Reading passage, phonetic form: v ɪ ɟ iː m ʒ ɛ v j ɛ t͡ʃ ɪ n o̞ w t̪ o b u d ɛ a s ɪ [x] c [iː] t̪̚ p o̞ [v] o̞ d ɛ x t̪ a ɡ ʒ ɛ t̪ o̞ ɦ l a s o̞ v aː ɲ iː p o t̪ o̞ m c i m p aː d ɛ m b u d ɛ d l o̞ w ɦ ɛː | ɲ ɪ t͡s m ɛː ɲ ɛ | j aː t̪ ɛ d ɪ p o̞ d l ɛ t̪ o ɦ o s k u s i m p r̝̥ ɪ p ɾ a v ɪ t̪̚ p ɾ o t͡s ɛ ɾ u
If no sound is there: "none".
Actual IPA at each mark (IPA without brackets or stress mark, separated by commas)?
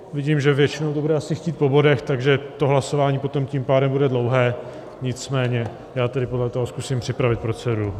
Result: x, iː, b